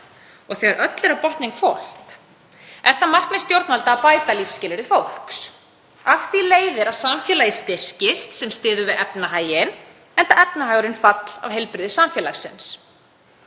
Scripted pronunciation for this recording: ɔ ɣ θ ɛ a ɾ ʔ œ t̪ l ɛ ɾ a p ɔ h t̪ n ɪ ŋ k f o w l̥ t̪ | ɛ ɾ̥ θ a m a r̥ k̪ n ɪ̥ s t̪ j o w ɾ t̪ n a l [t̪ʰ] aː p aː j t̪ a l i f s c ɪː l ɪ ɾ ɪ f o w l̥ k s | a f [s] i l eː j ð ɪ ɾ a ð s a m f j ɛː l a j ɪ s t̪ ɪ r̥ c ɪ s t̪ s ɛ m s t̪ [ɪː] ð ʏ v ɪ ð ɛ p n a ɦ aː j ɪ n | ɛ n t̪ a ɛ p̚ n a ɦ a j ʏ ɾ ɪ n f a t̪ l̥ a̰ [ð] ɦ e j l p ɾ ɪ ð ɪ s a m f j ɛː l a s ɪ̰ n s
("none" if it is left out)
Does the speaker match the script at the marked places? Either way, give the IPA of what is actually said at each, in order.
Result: t̪, θ, ɪː, v

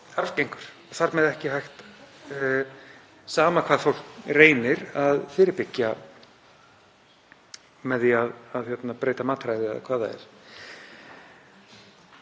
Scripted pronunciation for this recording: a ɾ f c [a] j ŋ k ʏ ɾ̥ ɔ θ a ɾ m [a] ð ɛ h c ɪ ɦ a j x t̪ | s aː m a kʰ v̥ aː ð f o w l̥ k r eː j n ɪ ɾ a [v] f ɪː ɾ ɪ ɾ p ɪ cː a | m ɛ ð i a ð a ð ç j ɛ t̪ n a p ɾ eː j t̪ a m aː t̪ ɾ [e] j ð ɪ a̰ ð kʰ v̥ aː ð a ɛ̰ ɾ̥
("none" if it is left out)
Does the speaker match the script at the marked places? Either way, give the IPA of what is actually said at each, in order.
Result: e, ɛ, ð, a

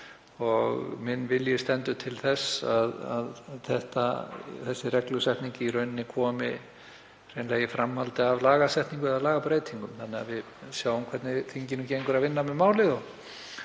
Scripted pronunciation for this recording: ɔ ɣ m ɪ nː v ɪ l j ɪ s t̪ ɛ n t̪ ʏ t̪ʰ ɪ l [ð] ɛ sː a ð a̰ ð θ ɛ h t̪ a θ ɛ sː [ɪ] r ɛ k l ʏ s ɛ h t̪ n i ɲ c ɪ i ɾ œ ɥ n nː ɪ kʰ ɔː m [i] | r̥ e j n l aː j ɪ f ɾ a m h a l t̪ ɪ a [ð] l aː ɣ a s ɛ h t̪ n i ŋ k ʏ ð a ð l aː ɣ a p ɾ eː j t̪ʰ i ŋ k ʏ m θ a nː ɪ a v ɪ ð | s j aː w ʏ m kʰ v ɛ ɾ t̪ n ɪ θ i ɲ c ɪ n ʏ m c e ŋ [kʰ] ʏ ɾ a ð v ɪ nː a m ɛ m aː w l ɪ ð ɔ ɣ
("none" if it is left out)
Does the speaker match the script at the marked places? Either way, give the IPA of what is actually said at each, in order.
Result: θ, ɪ, ɪ, v, k

